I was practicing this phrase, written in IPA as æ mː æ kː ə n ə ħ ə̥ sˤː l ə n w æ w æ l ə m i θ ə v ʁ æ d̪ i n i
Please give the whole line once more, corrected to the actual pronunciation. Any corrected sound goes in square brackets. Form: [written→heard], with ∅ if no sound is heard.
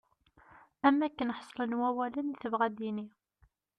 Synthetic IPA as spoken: æ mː æ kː ə n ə ħ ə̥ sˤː l ə n w æ w æ l ə [m→n] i θ ə v ʁ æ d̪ i n i